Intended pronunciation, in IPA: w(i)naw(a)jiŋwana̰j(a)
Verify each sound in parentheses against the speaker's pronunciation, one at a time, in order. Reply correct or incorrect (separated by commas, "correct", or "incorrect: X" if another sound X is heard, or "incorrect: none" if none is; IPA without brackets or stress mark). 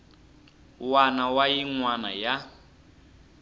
incorrect: a, correct, correct